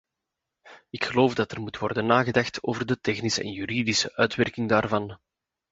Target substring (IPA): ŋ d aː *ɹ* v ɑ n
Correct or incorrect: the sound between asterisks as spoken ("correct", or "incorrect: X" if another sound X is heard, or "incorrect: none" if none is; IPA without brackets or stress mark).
incorrect: r